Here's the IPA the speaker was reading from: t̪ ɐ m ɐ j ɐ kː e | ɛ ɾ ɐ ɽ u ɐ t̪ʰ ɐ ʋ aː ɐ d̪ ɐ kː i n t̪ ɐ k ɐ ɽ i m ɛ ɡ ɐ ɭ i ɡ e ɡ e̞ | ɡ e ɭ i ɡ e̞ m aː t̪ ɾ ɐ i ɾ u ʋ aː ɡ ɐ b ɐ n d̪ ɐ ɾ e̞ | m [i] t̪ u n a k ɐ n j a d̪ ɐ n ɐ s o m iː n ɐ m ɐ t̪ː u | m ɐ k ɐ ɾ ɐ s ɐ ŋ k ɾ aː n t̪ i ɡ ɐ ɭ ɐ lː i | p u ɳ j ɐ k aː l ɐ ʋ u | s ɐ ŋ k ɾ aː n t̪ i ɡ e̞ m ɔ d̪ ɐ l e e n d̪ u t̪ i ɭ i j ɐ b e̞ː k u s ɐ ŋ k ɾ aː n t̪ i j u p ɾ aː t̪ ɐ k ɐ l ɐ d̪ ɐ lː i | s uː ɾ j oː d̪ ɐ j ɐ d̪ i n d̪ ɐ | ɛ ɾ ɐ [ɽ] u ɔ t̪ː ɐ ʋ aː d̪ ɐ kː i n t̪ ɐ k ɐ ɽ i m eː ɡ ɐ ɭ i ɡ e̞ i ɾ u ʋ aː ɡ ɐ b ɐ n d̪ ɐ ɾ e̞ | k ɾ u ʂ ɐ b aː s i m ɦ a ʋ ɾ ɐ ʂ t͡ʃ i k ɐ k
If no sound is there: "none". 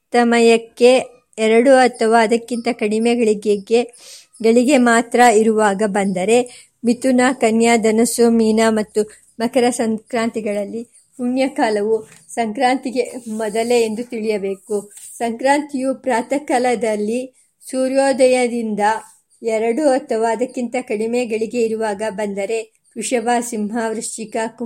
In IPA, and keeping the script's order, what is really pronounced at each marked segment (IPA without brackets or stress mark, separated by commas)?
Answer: i, ɽ